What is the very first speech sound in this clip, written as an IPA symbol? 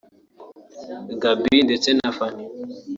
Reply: ɡ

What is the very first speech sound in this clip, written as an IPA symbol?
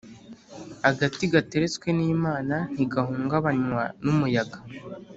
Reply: a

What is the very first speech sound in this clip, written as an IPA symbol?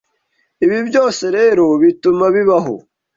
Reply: i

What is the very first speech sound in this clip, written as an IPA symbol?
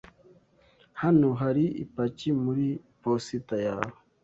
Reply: h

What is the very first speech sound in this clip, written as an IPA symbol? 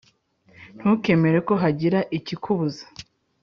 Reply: n̥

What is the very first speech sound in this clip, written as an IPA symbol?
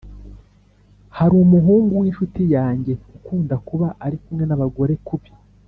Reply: h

